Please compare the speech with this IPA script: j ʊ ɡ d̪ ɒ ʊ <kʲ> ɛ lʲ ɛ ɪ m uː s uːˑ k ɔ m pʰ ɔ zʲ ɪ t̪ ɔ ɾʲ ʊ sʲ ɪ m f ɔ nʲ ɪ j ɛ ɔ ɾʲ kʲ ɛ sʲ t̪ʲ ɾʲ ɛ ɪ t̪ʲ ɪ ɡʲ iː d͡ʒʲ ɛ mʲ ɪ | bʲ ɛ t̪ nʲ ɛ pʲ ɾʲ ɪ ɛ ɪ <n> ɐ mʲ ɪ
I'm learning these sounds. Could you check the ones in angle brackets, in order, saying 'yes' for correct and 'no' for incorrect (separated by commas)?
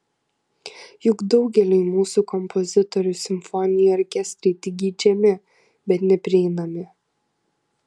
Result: no, yes